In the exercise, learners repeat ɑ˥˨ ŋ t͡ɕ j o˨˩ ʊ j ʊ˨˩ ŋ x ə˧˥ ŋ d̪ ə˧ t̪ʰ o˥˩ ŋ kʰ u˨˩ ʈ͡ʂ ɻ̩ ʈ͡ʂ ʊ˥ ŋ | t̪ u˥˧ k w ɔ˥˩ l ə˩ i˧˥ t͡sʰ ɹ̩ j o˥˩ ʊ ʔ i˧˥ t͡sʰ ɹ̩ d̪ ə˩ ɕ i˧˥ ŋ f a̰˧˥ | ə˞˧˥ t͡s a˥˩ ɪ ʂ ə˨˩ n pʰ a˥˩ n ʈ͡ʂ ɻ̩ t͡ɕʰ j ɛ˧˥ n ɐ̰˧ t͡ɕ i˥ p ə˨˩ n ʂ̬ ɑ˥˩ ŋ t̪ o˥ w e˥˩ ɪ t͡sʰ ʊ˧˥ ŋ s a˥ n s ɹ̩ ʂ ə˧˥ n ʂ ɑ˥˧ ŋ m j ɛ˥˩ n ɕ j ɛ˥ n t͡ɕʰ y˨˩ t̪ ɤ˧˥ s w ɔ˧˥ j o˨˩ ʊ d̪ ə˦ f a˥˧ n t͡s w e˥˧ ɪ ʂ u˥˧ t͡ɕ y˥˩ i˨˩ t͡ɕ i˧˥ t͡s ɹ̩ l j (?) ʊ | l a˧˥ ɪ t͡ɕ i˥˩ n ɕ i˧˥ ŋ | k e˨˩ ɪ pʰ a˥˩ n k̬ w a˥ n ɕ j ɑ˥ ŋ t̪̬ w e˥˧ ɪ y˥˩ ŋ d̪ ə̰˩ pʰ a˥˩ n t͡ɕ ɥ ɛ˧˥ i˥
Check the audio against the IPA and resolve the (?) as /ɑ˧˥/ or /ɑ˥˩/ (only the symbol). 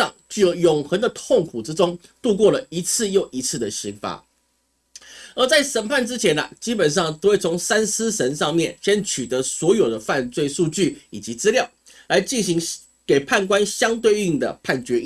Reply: ɑ˥˩